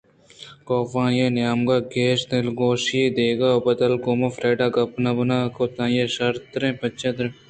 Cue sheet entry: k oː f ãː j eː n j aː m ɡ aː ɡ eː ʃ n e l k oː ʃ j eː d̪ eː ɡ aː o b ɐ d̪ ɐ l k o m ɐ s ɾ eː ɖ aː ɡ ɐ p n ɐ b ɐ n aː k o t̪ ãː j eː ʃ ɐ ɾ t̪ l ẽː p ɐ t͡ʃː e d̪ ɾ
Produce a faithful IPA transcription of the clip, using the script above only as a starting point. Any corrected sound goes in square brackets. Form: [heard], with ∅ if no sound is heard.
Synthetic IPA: k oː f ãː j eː n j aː m ɡ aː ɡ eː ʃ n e l [ɡ] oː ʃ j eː d̪ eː ɡ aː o b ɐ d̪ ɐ l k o m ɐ [f] ɾ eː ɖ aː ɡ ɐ p n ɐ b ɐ n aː k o t̪ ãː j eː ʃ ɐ ɾ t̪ [ɾ] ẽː p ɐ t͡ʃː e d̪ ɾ